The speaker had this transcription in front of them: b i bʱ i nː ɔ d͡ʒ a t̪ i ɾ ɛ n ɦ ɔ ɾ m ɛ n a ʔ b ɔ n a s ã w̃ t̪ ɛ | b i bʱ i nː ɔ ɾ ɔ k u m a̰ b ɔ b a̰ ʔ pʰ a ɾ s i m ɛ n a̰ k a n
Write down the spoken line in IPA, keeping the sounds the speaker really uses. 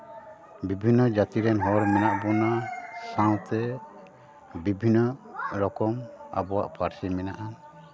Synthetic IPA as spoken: b i bʱ i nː ɔ d͡ʒ a t̪ i ɾ ɛ n ɦ ɔ ɾ m ɛ n a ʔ b ɔ n a s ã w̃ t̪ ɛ | b i bʱ i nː ɔ ɾ ɔ k ɔ m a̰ b ɔ w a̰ ʔ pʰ a ɾ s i m ɛ n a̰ ʔ a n